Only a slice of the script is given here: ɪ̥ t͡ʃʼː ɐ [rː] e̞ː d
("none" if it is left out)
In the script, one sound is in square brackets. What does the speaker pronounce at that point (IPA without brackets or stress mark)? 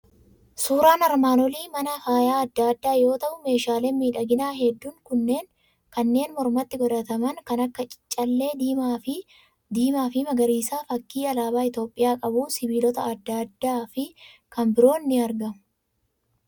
lː